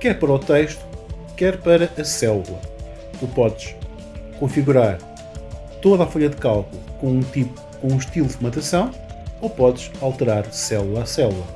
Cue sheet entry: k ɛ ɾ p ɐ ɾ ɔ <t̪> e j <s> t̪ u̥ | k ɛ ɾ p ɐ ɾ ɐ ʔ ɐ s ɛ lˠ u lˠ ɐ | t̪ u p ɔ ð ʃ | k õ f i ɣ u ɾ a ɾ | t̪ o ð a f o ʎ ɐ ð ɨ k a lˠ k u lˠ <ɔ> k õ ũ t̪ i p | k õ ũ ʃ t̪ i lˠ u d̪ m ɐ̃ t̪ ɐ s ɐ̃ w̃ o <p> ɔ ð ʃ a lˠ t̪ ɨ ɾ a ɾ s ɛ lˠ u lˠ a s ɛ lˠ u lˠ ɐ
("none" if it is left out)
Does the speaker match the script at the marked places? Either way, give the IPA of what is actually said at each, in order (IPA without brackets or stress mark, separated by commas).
t̪, ʃ, u, p